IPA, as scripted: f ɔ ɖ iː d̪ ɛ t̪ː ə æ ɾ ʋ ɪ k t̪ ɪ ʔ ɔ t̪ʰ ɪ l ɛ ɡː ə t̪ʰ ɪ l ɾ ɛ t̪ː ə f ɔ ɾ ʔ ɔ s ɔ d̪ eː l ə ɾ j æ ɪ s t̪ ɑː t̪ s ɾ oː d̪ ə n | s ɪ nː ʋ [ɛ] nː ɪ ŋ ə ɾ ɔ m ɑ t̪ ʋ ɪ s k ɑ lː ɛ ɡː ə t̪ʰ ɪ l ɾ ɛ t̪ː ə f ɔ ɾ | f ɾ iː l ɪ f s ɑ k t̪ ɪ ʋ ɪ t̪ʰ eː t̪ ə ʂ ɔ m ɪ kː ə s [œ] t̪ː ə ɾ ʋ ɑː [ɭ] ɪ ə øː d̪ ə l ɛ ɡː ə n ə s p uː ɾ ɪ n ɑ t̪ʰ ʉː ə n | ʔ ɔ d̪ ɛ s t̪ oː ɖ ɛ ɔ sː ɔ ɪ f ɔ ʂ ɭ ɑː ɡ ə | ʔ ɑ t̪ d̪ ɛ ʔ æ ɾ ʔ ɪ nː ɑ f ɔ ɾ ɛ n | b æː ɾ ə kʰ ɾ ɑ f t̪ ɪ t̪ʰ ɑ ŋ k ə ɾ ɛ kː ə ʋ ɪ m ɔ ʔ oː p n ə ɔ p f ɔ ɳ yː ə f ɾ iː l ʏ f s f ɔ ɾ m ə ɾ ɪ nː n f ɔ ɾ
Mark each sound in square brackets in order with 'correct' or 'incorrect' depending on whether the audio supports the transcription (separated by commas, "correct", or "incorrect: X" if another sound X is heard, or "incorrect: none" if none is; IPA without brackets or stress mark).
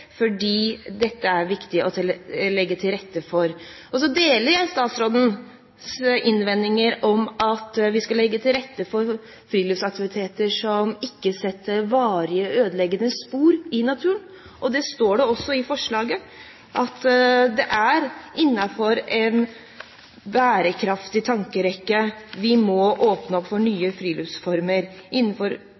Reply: correct, incorrect: ɛ, incorrect: ɾ